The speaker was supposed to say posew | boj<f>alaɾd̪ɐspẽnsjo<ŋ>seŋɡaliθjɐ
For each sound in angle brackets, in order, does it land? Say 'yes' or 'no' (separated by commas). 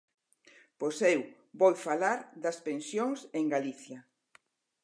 yes, yes